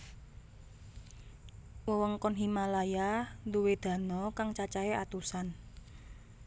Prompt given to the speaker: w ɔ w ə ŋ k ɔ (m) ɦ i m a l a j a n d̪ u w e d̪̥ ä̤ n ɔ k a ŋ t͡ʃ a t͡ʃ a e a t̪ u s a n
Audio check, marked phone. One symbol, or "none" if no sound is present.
n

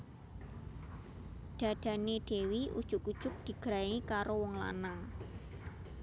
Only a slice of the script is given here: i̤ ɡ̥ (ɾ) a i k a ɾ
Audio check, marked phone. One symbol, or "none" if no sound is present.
ɾ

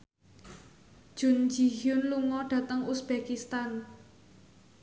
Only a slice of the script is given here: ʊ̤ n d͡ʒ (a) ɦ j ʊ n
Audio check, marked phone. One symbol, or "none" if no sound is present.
i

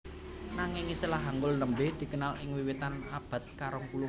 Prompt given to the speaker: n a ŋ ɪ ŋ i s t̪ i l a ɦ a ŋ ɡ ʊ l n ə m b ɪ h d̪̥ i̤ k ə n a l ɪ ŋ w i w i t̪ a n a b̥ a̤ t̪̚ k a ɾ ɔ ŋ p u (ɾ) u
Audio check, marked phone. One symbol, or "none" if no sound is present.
l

